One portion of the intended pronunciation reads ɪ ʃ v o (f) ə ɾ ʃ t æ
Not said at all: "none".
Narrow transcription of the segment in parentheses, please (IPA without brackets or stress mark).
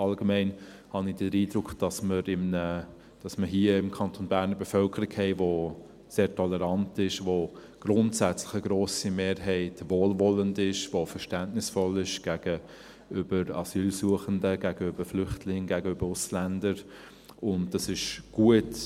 f